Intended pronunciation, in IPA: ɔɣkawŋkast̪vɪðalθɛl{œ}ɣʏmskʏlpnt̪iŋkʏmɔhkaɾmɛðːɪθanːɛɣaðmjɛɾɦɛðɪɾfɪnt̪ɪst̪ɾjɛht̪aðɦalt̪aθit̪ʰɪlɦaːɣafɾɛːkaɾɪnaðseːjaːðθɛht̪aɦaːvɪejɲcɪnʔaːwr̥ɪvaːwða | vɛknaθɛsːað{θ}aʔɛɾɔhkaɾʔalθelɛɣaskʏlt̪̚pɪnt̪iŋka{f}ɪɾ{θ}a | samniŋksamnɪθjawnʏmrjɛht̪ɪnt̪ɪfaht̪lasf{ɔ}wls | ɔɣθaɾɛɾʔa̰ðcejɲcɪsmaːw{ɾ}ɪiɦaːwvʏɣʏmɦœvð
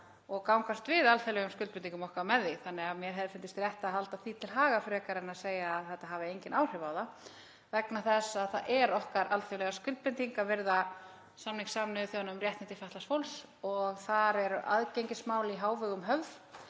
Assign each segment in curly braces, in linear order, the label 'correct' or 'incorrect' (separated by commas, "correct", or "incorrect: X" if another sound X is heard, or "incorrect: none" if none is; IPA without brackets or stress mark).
incorrect: ɛ, correct, incorrect: v, incorrect: ð, incorrect: o, incorrect: l